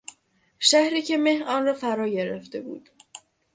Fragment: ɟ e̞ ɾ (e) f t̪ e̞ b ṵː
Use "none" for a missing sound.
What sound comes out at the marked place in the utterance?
e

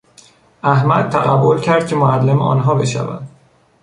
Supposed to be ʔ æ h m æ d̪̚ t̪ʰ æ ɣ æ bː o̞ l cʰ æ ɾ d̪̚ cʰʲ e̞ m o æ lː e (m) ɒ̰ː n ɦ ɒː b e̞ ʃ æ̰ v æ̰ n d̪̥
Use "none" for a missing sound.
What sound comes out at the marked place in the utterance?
m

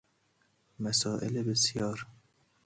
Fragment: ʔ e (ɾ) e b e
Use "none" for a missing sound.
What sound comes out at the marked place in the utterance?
l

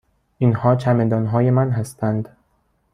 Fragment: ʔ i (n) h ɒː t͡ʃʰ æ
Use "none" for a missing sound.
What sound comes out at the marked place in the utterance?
n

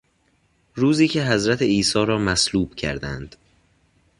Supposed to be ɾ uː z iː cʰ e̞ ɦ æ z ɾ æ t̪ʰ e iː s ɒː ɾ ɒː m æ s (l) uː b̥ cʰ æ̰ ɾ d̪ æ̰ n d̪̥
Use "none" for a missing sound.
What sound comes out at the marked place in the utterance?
l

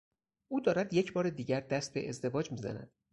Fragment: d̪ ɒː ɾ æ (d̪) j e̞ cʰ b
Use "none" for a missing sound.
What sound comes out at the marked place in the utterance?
d̪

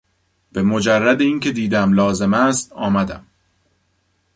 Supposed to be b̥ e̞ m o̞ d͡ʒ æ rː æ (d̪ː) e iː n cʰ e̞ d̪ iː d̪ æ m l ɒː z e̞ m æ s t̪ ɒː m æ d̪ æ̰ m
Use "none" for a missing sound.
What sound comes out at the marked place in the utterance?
d̪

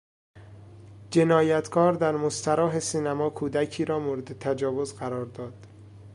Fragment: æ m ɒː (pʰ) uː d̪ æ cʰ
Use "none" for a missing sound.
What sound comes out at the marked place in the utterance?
kʰ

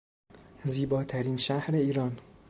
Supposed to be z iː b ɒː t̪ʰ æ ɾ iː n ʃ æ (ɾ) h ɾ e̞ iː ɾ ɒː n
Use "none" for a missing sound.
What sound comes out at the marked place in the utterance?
none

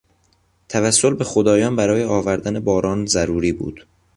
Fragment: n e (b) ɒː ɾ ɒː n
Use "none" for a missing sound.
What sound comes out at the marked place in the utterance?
b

